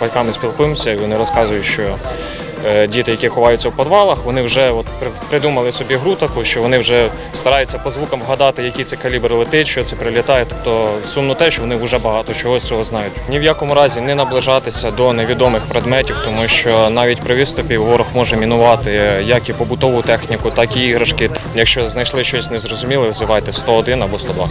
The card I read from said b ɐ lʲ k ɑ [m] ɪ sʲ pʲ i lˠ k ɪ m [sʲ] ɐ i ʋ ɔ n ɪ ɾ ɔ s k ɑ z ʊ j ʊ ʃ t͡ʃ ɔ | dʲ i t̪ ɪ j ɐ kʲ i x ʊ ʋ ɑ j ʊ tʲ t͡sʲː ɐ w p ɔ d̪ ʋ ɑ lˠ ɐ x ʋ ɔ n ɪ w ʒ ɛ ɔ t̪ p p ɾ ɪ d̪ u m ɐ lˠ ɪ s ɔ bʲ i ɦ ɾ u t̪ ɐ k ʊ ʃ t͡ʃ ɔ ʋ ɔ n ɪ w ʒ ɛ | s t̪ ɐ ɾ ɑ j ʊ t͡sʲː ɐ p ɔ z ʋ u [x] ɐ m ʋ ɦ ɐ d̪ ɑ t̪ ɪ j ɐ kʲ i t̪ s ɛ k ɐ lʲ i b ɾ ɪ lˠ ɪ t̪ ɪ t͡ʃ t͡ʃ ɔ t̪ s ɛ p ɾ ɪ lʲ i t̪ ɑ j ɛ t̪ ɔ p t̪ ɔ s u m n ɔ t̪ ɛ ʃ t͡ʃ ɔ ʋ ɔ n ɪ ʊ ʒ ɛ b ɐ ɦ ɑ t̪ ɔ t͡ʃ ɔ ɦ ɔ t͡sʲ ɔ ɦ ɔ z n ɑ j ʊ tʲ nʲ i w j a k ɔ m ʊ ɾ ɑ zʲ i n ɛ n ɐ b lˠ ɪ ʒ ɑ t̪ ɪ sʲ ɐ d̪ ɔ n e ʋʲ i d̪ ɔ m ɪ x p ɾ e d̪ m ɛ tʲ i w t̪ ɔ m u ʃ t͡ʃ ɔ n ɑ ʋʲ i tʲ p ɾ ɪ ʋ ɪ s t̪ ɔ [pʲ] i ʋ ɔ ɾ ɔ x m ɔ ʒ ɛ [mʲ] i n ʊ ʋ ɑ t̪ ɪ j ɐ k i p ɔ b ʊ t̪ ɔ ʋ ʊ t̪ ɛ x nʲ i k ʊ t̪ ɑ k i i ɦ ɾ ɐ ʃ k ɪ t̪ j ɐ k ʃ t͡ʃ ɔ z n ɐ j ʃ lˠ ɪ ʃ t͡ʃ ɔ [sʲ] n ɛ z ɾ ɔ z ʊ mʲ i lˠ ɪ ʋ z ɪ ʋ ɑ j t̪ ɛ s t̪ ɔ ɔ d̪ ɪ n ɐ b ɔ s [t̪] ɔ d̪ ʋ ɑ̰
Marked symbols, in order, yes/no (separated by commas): yes, yes, no, yes, yes, yes, yes